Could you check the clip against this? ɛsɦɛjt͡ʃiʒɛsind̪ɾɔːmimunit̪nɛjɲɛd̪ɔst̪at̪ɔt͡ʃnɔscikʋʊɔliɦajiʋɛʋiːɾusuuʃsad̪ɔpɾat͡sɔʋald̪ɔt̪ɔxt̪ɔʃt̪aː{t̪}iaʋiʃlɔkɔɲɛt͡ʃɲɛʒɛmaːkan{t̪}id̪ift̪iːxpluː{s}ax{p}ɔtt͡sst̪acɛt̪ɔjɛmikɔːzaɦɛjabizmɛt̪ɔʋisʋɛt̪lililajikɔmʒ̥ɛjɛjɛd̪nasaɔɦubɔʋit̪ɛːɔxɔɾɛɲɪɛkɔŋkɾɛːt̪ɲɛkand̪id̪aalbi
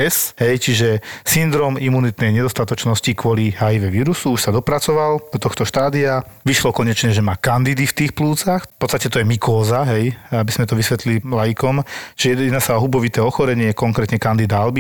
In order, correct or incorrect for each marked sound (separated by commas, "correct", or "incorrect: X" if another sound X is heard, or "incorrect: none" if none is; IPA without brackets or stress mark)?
incorrect: d̪, incorrect: d̪, incorrect: t͡s, correct